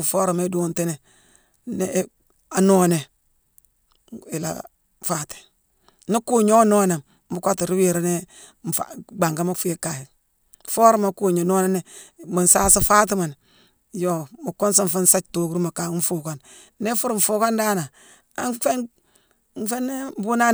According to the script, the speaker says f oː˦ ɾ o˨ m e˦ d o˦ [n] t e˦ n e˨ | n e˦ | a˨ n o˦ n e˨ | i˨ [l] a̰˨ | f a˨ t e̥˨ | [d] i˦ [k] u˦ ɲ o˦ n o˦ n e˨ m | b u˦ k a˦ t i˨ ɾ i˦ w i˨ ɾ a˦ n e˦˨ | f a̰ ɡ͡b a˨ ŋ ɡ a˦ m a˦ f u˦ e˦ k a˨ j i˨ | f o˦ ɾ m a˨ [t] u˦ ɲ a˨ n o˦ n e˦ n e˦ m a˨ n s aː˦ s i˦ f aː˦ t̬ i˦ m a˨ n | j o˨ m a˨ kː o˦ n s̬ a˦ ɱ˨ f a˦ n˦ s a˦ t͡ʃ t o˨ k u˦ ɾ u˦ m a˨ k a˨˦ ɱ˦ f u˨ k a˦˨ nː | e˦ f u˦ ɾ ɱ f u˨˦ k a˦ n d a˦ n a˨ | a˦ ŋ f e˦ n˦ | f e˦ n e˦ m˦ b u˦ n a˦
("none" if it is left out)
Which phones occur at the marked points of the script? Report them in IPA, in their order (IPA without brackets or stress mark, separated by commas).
n, l, n, k, k